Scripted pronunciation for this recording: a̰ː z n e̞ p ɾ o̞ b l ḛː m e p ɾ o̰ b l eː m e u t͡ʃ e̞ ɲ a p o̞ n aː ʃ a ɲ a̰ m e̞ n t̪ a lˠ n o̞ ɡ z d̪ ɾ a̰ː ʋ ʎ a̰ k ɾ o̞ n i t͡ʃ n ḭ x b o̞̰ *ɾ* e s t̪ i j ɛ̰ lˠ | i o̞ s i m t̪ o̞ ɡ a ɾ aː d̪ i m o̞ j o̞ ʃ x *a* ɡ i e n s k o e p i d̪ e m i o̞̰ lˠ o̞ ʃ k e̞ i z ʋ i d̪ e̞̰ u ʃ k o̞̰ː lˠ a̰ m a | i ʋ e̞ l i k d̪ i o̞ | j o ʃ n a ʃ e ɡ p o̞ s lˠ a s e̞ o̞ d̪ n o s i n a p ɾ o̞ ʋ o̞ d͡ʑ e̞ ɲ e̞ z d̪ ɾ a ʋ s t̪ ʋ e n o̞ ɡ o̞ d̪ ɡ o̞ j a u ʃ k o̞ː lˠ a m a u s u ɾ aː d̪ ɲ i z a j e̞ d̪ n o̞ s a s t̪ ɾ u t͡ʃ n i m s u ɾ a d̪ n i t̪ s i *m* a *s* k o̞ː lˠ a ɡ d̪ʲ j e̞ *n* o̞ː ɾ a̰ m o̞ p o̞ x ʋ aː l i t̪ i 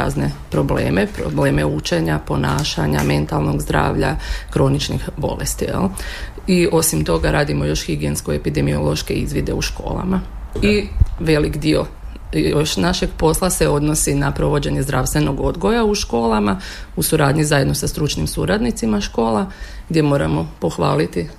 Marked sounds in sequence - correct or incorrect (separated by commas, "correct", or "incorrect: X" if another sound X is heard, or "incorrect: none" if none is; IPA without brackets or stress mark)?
incorrect: l, incorrect: i, correct, incorrect: ʃ, incorrect: m